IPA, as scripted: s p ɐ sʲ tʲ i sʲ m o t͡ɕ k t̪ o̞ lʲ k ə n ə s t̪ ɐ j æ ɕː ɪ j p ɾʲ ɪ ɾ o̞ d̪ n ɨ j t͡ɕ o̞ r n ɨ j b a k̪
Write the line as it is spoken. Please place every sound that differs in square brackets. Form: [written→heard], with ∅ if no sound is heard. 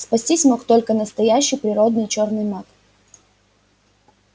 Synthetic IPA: s p ɐ sʲ tʲ i sʲ m o [t͡ɕ→∅] k t̪ o̞ lʲ k ə n ə s t̪ ɐ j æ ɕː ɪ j p ɾʲ ɪ ɾ o̞ d̪ n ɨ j t͡ɕ o̞ r n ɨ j [b→m] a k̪